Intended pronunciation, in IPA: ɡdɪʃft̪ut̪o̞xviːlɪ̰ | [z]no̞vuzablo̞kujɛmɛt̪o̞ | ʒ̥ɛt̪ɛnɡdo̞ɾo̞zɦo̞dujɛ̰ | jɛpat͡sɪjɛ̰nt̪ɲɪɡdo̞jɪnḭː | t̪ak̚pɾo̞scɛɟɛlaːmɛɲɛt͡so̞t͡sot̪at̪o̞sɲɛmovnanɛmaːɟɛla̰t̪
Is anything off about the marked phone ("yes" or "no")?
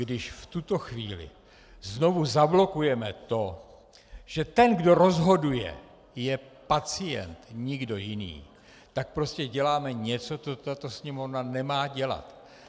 no